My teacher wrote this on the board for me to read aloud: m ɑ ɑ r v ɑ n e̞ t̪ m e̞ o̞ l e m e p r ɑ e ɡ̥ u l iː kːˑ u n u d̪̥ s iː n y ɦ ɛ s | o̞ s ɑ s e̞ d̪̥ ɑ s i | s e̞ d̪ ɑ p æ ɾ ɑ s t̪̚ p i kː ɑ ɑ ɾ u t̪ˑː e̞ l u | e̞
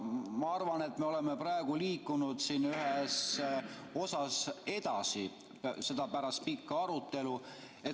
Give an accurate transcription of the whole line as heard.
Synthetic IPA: m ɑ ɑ r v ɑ n e̞ t̪ m e̞ o̞ l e m e p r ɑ e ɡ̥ u l iː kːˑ u n u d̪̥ s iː n y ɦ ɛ s | o̞ s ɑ s e̞ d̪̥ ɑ s i | s e̞ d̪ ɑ p æ ɾ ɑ s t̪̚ p i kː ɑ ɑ ɾ u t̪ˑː e̞ l u | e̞